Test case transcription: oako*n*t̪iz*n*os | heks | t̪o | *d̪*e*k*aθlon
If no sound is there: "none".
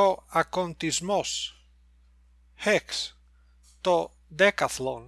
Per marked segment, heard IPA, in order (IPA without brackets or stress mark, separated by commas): n, m, d̪, k